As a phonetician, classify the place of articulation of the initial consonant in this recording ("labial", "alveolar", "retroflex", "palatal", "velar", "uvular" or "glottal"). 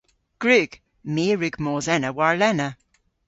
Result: velar